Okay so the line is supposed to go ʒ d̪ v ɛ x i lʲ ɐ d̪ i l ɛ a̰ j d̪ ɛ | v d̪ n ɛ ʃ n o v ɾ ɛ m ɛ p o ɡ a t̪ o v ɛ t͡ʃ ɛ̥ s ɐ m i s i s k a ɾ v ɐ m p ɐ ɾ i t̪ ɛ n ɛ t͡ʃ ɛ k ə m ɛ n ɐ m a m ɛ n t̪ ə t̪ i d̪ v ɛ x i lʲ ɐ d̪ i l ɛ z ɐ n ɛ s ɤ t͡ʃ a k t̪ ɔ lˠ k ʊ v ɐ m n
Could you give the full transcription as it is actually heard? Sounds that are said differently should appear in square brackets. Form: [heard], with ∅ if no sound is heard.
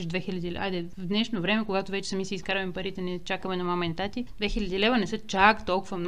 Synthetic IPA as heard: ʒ d̪ v ɛ x i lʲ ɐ d̪ i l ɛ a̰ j d̪ ɛ | v d̪ n ɛ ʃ n o v ɾ ɛ m ɛ [k] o ɡ a t̪ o v ɛ t͡ʃ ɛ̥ s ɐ m i s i s k a ɾ v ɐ m p ɐ ɾ i t̪ ɛ n ɛ t͡ʃ [a] k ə m ɛ n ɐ m a m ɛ n t̪ [a] t̪ i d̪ v ɛ x i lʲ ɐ d̪ i l ɛ [v] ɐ n ɛ s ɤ t͡ʃ a k t̪ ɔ lˠ k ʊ v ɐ m n